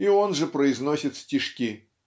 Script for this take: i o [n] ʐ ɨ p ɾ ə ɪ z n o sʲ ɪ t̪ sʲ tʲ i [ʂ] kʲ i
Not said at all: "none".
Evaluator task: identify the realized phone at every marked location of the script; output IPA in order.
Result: n, ʂ

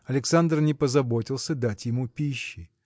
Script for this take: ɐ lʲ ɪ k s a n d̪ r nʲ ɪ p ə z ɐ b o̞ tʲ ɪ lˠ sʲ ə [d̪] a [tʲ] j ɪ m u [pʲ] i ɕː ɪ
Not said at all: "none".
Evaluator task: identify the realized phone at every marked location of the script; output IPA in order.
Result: d̪, tʲ, pʲ

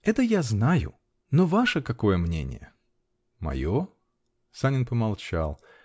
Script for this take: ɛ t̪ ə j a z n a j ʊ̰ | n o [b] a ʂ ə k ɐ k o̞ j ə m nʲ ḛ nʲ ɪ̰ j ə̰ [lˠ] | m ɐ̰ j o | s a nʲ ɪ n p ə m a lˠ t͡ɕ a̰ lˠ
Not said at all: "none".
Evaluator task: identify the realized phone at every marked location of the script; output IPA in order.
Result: v, none

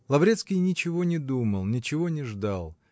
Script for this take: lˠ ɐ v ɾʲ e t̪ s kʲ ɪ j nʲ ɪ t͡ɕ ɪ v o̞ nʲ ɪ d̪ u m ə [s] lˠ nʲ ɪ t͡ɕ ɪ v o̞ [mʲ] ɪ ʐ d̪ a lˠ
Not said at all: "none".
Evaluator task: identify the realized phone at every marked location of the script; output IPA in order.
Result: none, nʲ

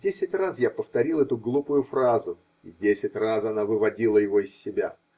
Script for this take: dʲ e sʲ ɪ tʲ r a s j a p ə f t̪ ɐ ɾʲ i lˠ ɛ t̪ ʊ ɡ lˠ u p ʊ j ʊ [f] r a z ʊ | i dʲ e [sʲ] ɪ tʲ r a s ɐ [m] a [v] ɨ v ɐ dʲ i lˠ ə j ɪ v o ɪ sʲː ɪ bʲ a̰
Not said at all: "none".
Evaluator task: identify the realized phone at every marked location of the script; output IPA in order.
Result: f, sʲ, n, v

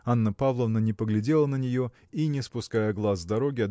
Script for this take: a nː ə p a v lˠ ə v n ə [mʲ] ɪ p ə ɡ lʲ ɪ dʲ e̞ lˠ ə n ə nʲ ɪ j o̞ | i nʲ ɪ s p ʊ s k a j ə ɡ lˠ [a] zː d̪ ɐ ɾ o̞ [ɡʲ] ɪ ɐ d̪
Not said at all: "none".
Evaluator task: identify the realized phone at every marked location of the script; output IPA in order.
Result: nʲ, a, ɡʲ

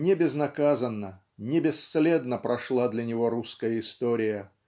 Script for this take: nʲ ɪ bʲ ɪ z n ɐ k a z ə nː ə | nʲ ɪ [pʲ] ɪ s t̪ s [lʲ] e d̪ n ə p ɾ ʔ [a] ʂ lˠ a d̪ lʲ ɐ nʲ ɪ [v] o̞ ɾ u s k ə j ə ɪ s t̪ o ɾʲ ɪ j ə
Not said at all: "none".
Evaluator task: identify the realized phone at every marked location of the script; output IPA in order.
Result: bʲ, lʲ, ɐ, v

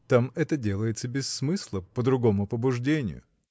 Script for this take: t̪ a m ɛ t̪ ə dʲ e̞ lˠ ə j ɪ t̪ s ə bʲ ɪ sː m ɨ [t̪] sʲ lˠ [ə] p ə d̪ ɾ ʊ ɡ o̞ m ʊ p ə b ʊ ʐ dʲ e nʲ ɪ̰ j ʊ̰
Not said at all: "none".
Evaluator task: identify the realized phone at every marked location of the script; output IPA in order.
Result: none, ə

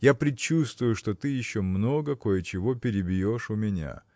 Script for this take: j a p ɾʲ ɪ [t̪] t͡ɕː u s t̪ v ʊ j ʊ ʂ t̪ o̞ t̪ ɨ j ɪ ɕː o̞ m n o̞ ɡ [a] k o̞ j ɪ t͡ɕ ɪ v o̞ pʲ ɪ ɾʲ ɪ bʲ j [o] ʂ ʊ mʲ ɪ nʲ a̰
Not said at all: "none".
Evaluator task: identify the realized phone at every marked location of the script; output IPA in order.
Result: none, ə, o

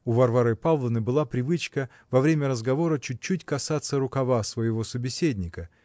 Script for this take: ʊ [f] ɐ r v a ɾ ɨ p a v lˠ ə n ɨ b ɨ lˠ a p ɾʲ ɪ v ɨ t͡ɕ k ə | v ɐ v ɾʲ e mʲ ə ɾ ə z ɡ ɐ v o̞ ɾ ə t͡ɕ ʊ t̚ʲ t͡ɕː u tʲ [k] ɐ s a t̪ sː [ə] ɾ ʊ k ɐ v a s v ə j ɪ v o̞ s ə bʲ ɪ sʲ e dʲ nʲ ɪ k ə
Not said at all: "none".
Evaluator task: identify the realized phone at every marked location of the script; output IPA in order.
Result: v, k, ə

